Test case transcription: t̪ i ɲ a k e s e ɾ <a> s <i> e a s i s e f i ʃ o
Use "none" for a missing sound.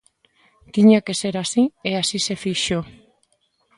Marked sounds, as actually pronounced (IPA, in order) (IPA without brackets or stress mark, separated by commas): a, i